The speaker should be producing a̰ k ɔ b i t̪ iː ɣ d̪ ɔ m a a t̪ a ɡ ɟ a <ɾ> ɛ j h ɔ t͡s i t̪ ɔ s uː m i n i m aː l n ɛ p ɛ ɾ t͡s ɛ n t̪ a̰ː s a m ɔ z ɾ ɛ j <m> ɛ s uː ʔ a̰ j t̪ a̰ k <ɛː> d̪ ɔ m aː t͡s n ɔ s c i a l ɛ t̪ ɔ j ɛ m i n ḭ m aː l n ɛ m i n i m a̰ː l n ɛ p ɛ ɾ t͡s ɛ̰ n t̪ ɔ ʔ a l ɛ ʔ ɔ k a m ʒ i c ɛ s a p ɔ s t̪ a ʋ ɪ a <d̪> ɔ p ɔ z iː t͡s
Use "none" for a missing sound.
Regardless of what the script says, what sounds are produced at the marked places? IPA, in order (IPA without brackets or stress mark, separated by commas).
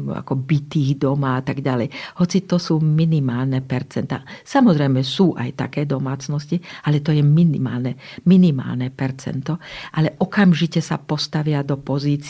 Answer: l, m, ɛː, d̪